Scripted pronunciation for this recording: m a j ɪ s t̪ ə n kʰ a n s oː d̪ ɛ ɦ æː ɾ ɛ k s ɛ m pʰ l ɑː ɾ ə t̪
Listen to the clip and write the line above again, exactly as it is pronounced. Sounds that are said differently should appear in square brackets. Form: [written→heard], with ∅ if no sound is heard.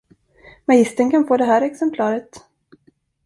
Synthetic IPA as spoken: m a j ɪ s t̪ ə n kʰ a n [s→f] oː d̪ ɛ ɦ æː ɾ ɛ k s ɛ m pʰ l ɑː ɾ ə t̪